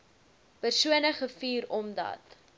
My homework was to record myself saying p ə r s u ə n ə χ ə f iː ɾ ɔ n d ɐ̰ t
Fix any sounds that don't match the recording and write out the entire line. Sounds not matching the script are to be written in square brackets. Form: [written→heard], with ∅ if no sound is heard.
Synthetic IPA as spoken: p ə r s u ə n ə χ ə f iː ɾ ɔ [n→m] d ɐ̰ t

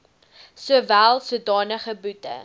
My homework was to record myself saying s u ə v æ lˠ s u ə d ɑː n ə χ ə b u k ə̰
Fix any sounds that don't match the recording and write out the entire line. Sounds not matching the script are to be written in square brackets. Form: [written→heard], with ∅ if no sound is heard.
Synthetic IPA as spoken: s u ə v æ lˠ s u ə d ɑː n ə χ ə b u [k→t] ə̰

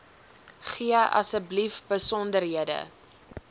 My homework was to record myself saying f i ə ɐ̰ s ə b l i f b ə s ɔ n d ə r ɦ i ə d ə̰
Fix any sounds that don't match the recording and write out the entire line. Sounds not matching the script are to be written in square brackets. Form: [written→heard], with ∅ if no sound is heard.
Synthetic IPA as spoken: [f→χ] i ə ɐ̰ s ə b l i f b ə s ɔ n d ə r ɦ i ə d ə̰

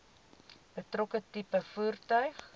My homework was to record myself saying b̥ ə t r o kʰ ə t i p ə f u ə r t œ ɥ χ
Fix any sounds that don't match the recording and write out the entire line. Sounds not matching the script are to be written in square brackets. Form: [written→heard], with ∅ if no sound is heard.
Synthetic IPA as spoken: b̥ ə t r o [kʰ→k] ə t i p ə f u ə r t œ ɥ χ

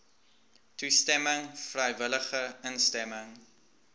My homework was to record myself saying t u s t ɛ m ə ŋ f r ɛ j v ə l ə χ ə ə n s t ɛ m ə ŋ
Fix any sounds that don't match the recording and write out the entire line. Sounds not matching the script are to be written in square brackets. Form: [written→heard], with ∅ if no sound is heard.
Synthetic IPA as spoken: t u s t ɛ m ə ŋ f r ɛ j v ə l ə χ ə ə n s t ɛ m ə ŋ

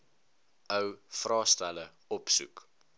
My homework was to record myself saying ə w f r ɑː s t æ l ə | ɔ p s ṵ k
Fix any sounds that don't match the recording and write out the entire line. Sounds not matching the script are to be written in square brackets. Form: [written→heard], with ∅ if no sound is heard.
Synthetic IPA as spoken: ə w f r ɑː s t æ l ə | ɔ p s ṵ k

